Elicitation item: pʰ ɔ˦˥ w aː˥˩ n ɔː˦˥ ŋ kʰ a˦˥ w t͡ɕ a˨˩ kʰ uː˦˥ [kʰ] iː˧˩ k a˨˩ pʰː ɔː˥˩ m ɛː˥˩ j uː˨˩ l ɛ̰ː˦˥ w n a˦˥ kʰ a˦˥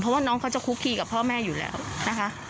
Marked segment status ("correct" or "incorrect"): correct